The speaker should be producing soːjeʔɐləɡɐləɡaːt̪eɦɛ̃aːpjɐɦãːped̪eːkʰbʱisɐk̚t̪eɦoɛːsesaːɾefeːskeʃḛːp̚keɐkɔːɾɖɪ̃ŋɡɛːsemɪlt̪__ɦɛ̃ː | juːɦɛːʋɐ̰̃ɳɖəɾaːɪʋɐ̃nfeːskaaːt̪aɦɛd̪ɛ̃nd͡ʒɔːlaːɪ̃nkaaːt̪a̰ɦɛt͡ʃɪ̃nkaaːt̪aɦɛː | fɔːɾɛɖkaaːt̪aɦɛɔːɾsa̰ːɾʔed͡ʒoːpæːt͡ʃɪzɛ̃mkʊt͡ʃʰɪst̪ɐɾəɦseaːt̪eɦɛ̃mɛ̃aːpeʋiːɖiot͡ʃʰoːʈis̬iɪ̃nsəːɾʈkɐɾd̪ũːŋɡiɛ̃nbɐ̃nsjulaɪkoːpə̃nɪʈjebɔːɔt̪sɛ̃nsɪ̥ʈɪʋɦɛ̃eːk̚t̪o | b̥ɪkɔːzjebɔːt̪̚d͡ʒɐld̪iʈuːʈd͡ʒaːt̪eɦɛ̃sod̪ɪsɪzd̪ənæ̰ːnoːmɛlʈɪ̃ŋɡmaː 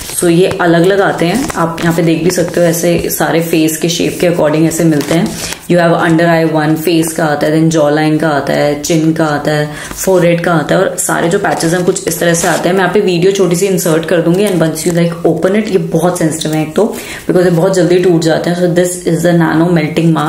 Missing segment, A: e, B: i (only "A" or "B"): A